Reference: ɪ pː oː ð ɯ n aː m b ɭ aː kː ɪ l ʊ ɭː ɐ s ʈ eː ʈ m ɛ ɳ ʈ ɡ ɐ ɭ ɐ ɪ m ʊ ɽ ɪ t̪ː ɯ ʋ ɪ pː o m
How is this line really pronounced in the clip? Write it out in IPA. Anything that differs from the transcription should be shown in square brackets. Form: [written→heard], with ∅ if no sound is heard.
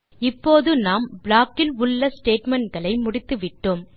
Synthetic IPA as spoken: ɪ pː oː ð ɯ n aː m b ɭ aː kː ɪ l ʊ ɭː ɐ s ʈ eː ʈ m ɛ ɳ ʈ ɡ ɐ ɭ ɐ ɪ m ʊ ɽ ɪ t̪ː ɯ ʋ ɪ [pː→ʈː] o m